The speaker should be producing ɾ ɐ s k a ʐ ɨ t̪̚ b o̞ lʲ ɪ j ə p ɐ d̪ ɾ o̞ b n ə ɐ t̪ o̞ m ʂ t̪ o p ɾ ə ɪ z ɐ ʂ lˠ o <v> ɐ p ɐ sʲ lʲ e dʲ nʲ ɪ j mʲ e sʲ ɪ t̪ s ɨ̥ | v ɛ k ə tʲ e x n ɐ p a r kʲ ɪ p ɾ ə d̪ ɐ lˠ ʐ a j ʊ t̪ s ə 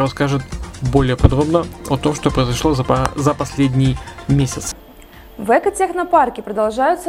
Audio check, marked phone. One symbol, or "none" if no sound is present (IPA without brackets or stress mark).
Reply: z